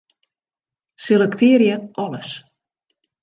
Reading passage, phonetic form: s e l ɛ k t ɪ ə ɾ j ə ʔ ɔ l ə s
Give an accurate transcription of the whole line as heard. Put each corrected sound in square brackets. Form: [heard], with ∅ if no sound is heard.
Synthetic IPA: s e l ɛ k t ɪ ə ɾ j ə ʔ ɔ l ə s